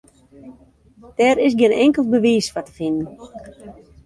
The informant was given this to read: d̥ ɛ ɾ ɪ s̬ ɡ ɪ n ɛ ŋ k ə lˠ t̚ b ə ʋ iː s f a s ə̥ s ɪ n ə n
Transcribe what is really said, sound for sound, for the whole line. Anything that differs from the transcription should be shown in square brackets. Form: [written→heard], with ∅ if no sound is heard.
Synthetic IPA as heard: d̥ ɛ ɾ ɪ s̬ ɡ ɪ n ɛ ŋ k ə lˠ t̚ b ə ʋ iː s f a [s→t] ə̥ [s→f] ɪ n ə n